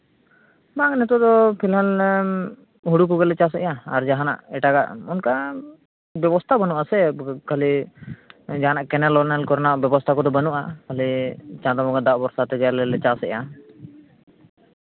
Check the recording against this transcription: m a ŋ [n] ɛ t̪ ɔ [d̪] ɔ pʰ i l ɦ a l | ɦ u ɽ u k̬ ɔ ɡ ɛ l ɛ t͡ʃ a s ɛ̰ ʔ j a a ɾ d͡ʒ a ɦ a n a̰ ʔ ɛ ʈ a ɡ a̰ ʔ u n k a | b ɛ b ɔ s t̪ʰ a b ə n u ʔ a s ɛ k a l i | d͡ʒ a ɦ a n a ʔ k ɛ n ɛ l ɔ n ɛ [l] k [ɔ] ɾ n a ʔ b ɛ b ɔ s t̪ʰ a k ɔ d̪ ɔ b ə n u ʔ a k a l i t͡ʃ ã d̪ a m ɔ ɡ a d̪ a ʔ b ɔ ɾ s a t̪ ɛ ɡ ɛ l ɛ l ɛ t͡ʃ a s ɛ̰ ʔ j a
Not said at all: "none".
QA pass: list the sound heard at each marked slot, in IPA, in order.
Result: n, d̪, l, ɔ

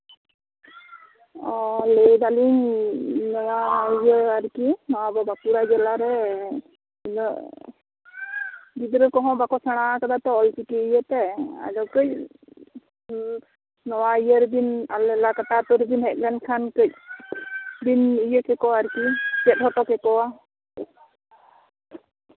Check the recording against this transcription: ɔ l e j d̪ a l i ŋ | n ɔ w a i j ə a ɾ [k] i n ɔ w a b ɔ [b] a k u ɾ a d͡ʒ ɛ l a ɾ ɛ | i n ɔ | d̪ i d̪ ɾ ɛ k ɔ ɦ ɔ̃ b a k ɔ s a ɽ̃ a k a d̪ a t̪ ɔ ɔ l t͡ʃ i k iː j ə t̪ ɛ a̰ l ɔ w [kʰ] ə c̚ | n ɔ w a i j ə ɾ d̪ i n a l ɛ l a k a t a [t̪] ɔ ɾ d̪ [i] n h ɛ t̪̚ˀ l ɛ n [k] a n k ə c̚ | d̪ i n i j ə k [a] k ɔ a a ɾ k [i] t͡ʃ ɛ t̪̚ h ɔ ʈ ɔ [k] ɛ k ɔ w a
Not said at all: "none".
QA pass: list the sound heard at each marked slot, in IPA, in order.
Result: k, b, k, t̪, i, kʰ, ɛ, i, k

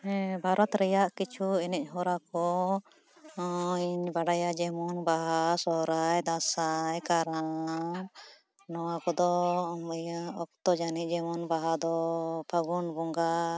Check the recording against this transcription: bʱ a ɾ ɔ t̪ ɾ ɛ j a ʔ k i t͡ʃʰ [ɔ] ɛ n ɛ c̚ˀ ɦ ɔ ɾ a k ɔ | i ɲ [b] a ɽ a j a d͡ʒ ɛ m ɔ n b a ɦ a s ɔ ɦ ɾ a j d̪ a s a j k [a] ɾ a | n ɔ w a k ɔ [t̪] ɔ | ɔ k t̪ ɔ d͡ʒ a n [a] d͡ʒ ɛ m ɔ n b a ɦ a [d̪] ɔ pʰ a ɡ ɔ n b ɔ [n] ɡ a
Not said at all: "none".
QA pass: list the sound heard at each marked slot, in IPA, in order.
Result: u, b, a, d̪, i, d̪, ŋ

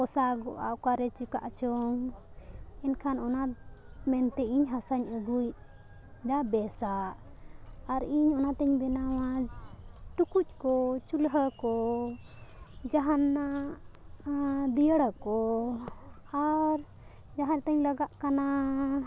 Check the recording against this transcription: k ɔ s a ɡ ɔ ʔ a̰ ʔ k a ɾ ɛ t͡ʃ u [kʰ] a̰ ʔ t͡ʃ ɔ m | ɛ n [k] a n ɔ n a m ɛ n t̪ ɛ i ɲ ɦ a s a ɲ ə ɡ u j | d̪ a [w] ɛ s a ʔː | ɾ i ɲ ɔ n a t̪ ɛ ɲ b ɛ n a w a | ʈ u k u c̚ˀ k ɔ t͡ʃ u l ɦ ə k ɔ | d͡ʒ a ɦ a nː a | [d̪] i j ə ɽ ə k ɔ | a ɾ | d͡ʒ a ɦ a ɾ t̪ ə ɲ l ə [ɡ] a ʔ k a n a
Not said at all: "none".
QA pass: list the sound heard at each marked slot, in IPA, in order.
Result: k, kʰ, b, d̪, ɡ

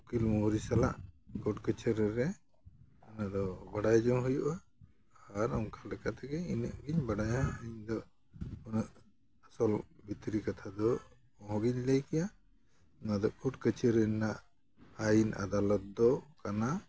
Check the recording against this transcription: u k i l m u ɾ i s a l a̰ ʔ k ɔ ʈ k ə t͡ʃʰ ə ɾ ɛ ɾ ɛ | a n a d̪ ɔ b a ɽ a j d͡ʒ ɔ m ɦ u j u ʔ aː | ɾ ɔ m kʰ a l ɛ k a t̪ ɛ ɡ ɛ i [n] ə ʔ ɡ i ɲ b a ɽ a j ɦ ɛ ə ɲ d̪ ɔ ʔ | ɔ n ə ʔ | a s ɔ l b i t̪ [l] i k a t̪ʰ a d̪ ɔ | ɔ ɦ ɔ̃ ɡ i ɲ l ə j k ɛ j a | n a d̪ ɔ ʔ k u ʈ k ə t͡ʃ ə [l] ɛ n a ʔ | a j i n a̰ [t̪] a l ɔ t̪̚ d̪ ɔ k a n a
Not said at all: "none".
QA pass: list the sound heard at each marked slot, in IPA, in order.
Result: n, ɾ, ɾ, d̪

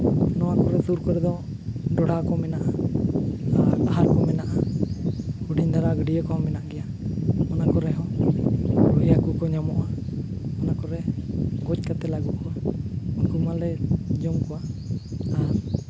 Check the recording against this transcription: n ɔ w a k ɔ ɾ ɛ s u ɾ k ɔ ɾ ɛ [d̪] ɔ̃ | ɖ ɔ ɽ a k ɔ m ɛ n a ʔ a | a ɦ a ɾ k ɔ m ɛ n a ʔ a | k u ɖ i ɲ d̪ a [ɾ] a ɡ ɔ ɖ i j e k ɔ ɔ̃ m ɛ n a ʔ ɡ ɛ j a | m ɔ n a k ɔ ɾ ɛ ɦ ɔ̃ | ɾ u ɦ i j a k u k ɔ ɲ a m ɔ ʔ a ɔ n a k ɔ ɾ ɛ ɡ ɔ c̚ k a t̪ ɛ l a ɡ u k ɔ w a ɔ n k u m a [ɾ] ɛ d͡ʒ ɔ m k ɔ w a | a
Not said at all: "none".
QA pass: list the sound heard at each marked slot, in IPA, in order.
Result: d̪, ɾ, l

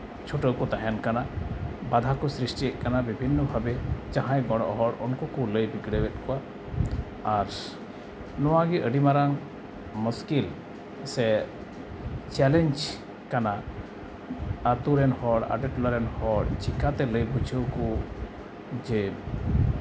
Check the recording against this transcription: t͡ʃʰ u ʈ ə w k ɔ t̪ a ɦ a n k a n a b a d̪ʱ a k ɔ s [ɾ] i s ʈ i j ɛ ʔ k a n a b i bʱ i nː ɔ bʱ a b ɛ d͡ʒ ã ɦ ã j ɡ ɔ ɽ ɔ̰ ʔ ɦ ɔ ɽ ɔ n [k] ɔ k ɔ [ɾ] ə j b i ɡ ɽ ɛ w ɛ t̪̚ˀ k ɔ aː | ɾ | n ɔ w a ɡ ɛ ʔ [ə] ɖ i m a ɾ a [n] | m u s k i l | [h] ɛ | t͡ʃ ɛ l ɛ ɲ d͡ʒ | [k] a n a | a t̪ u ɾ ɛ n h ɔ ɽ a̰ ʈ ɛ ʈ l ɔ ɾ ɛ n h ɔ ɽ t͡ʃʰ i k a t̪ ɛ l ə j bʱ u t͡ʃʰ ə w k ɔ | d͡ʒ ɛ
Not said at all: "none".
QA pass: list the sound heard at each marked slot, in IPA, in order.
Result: ɾ, k, l, ə, ŋ, s, k

